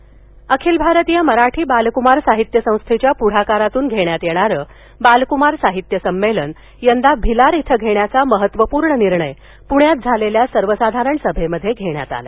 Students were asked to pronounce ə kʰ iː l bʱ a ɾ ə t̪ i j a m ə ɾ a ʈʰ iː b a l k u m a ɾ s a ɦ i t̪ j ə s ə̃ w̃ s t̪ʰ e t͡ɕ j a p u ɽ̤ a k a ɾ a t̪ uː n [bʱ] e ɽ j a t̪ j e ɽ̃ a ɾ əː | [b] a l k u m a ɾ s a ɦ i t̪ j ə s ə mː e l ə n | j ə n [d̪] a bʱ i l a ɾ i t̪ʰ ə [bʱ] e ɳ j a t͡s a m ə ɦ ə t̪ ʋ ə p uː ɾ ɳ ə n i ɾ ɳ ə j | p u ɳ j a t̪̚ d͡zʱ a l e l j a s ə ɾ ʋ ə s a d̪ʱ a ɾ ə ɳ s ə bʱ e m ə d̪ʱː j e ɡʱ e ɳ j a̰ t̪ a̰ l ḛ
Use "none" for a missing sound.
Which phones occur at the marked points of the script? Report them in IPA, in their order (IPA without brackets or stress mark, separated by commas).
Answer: ɡʱ, b, d̪, ɡʱ